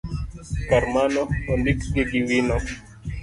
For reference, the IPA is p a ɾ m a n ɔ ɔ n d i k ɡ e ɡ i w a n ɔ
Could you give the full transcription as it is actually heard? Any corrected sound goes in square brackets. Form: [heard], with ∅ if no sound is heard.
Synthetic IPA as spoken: [k] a ɾ m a n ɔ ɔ n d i k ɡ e ɡ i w [i] n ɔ